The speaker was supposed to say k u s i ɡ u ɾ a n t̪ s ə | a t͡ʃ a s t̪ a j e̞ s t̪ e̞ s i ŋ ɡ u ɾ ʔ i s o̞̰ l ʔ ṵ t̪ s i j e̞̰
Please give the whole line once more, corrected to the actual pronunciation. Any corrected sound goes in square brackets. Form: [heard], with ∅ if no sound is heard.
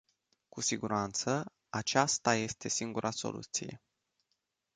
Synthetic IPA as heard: k u s i ɡ u ɾ a n t̪ s ə | a t͡ʃ a s t̪ a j e̞ s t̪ e̞ s i ŋ ɡ u ɾ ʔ [a] s o̞̰ l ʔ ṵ t̪ s i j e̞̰